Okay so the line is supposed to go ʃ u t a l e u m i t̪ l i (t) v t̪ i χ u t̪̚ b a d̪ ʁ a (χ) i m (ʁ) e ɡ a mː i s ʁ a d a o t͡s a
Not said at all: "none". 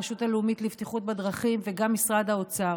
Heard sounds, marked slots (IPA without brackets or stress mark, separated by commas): none, χ, v